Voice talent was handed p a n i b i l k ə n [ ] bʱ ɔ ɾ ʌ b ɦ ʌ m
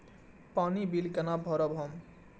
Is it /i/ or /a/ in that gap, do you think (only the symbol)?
a